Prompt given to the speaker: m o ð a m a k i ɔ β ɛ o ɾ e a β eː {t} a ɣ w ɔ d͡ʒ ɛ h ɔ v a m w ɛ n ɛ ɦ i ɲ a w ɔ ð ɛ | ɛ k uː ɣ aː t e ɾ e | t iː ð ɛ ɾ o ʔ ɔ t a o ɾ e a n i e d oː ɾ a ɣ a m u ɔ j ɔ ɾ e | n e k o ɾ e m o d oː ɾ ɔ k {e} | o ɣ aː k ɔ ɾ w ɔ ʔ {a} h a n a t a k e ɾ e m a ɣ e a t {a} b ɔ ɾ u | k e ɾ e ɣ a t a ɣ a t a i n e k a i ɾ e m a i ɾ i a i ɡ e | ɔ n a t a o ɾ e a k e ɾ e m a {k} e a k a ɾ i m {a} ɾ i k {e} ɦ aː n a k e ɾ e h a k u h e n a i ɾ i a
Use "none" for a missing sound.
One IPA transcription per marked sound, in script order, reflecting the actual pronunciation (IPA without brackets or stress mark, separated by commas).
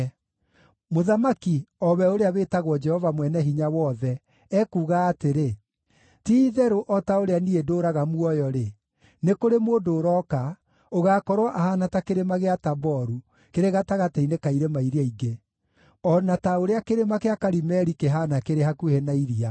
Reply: t, a, a, a, k, ɛ, e